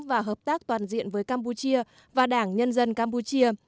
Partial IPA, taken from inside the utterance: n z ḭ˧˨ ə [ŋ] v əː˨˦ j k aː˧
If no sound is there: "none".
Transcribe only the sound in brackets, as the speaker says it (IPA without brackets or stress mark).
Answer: n